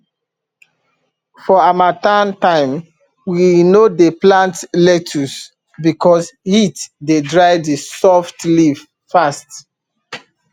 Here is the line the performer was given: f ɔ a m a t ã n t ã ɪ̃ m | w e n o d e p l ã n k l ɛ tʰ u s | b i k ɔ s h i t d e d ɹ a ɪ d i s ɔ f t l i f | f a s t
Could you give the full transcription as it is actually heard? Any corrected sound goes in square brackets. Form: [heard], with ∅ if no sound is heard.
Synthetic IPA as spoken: f ɔ a m a t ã n t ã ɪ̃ m | w [i] n o d e p l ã n [t] l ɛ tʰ u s | b i k ɔ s h i t d e d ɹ a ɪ d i s ɔ f t l i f | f a s t